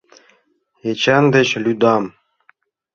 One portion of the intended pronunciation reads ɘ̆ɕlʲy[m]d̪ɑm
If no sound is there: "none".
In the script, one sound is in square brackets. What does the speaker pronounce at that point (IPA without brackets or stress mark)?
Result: none